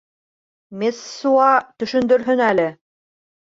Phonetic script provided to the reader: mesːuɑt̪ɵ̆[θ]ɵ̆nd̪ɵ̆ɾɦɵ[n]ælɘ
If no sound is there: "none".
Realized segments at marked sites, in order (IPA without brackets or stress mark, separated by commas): ʃ, n